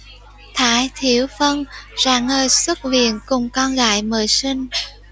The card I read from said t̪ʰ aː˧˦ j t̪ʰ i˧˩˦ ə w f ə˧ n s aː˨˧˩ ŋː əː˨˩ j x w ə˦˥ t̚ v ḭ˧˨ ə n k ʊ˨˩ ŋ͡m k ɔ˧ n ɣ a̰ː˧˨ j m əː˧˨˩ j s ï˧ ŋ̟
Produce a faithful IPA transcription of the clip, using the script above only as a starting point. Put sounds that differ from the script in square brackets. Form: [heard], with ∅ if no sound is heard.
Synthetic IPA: t̪ʰ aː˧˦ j t̪ʰ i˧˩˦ ə w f ə˧ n [z] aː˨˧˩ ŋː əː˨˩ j [s] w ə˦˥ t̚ v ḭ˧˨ ə n k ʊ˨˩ ŋ͡m k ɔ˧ n ɣ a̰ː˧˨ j m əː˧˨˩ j s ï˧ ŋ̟